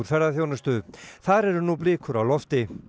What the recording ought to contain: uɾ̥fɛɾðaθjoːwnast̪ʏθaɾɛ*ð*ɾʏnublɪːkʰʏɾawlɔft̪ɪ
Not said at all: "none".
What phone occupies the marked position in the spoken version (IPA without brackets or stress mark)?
none